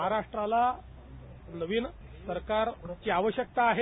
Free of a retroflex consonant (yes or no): no